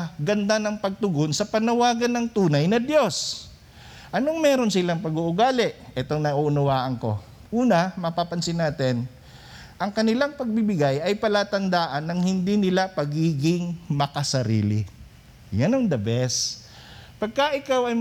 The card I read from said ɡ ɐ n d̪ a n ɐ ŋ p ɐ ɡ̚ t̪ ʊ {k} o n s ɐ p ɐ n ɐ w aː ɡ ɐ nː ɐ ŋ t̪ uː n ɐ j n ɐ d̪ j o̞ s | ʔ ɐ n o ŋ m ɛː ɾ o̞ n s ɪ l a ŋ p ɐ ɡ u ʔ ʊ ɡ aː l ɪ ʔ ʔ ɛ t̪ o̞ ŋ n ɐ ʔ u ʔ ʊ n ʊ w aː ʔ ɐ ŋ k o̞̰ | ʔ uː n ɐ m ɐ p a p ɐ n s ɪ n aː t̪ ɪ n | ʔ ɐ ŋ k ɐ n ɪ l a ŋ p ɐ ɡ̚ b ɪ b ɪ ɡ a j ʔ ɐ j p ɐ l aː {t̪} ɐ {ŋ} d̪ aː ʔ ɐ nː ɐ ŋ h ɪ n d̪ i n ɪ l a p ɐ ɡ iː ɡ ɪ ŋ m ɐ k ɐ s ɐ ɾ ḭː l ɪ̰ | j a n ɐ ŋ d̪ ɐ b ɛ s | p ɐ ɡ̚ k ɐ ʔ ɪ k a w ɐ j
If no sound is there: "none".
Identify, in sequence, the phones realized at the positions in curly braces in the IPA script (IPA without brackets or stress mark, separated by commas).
ɡ, t̪, n